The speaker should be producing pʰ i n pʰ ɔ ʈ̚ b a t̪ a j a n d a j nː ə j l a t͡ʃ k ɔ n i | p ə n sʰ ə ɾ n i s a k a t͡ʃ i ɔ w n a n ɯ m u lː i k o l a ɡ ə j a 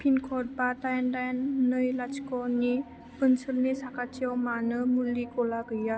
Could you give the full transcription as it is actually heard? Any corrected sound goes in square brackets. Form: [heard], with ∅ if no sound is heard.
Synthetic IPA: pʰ i n [kʰ] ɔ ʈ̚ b a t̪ a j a n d a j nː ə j l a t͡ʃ k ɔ n i | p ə n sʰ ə [l] n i s a k a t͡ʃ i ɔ w [m] a n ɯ m u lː i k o l a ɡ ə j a